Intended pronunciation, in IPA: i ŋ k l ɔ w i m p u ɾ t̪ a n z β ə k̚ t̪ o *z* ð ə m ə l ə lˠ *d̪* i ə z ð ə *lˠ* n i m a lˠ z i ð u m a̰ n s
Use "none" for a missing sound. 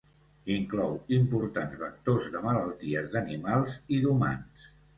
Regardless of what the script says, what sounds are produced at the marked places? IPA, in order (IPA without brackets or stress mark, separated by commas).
z, t̪, none